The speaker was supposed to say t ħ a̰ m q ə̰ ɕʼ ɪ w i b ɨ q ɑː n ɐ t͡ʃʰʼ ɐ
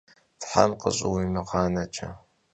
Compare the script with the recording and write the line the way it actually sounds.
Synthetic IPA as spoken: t ħ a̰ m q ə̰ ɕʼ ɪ w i m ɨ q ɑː n ɐ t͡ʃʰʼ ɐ

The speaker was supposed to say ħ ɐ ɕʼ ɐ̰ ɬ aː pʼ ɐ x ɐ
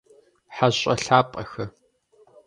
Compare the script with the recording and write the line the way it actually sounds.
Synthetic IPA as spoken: ħ a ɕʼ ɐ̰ ɬ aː pʼ ɐ x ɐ

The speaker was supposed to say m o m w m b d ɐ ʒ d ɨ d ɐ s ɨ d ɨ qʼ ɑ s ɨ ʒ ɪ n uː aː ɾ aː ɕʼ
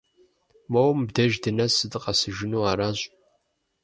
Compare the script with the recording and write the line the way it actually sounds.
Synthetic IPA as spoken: m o w m b d ɐ ʒ d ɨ n ɐ s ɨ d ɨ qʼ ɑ s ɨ ʒ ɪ n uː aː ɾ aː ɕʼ

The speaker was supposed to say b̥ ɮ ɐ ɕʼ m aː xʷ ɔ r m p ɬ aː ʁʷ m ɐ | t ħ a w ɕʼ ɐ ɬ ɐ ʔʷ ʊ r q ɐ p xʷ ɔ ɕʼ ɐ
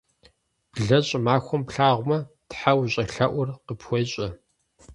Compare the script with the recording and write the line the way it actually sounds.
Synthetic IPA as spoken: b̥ ɮ ɐ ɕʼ m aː xʷ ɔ m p ɬ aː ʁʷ m ɐ | t ħ a w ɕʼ ɐ ɬ ɐ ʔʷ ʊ r q ə p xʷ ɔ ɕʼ ɐ

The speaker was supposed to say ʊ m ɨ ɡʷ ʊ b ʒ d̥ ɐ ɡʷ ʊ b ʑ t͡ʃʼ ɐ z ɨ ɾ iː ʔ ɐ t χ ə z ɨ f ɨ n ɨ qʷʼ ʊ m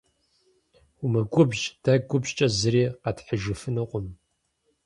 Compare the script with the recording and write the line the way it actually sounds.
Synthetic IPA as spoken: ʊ m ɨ ɡʷ ʊ b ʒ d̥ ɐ ɡʷ ʊ b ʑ t͡ʃʼ ɐ z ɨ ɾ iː q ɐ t ħ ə ʒ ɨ f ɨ n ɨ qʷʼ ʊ m

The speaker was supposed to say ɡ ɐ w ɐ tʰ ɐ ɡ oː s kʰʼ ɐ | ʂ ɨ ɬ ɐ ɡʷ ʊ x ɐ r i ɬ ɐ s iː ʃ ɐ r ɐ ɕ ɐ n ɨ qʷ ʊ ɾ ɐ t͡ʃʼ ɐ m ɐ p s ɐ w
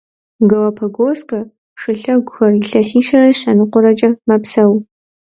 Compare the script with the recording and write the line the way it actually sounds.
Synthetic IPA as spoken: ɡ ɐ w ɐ pʰ ɐ ɡ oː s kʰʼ ɐ | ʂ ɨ ɬ ɐ ɡʷ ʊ x ɐ r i ɬ ɐ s iː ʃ ɐ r ɐ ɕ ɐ n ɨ qʷ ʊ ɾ ɐ t͡ʃʼ ɐ m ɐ p s ɐ w

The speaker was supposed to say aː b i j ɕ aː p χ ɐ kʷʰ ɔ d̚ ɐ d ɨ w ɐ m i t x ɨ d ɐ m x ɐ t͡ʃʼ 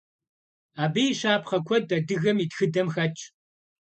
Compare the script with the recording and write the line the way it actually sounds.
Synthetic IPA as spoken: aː b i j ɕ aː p χ ɐ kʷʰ ɔ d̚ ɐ d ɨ ɣ ɐ m i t x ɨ d ɐ m x ɐ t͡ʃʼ

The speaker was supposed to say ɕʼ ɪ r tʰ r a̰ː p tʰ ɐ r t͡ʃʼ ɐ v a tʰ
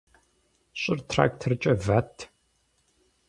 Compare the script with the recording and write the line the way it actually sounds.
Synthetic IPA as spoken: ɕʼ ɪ r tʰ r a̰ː k tʰ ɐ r t͡ʃʼ ɐ v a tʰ

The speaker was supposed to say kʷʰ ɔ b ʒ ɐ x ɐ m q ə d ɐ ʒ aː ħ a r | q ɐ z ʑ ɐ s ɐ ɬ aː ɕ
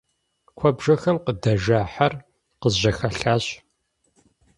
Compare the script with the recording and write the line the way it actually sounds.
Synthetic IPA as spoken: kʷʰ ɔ b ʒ ɐ x ɐ m q ə d ɐ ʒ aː ħ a r | q ə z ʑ ɐ x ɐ ɬ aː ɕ

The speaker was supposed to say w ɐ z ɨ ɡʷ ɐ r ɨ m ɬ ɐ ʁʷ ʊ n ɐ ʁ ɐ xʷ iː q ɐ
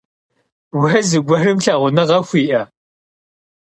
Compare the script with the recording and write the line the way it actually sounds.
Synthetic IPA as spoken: w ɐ z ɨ ɡʷ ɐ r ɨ m ɬ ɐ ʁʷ ʊ n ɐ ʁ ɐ xʷ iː ʔ ɐ

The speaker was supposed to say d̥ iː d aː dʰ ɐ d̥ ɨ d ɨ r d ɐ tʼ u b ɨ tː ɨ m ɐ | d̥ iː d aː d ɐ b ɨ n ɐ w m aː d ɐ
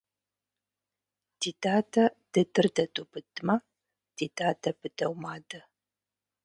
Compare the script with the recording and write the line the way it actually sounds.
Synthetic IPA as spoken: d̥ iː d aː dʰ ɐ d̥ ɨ d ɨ r d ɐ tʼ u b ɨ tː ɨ m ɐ | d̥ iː d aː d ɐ b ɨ d ɐ w m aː d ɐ

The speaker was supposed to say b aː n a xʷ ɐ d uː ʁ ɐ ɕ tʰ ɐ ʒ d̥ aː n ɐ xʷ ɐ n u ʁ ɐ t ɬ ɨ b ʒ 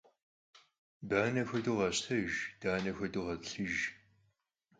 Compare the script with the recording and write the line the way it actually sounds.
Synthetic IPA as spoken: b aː n ɐ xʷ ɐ d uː ʁ ɐ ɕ tʰ ɐ ʒ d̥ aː n ɐ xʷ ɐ d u ʁ ɐ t ɬ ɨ ʒ

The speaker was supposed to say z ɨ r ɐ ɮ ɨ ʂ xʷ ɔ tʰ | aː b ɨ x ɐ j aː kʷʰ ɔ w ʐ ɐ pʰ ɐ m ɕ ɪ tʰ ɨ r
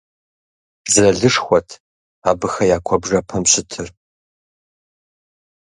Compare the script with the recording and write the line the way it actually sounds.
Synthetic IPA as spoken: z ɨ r ɐ ɮ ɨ ʂ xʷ ɔ tʰ | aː b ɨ x ɐ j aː kʷʰ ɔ b ʐ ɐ pʰ ɐ m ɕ ɪ tʰ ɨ r

